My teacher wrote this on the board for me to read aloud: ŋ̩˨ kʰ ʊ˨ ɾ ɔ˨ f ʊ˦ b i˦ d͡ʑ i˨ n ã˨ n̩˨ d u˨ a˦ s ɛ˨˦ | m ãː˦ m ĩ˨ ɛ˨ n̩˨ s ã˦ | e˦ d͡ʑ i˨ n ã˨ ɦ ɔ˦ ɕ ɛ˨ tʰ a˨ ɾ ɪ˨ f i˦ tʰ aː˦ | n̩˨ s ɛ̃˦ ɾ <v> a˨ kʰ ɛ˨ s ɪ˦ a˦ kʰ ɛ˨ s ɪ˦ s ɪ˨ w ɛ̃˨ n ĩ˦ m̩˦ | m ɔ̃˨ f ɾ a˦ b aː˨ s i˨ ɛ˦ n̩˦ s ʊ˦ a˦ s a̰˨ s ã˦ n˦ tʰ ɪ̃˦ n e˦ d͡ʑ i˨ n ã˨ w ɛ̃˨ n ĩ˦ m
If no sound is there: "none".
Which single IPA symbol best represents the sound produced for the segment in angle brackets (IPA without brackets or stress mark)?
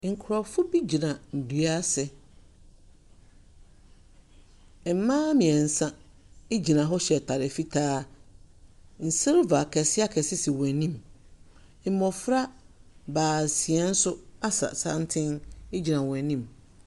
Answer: v